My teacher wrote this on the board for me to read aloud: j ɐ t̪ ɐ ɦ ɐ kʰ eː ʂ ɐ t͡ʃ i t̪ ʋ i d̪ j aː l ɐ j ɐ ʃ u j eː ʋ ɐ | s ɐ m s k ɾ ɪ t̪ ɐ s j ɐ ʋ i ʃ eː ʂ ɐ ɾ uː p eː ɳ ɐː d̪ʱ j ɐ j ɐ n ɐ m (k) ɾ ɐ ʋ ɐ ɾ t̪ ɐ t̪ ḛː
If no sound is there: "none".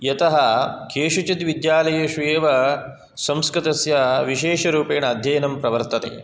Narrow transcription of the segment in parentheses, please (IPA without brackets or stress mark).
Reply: p